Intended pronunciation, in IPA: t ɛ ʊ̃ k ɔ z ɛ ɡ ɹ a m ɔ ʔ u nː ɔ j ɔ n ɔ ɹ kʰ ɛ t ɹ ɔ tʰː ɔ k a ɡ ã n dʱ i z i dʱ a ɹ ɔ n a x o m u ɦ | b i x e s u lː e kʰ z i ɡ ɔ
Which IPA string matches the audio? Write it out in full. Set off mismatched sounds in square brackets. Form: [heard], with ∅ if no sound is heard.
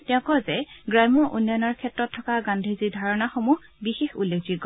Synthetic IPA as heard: t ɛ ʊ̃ k ɔ z ɛ ɡ ɹ a m ɔ ʔ u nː ɔ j ɔ n ɔ ɹ kʰ ɛ t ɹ ɔ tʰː ɔ k a ɡ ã n dʱ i z i dʱ a ɹ ɔ n a x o m u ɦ | b i x e [x] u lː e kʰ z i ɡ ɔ